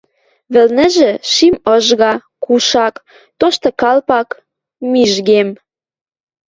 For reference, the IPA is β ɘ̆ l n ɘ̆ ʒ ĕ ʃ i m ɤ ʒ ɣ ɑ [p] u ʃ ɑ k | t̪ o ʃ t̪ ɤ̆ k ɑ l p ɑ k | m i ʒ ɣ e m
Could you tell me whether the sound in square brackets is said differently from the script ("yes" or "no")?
yes